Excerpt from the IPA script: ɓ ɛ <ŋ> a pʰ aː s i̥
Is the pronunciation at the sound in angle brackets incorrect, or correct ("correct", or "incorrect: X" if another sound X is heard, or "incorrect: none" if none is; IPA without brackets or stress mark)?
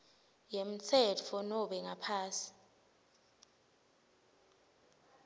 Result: correct